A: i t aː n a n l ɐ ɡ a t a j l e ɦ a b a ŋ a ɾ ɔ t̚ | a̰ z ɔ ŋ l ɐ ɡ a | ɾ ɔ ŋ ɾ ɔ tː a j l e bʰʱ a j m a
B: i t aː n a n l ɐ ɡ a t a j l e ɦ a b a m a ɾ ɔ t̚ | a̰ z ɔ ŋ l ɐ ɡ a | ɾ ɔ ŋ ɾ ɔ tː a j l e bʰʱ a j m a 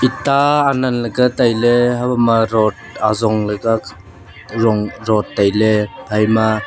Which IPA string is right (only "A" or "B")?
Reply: B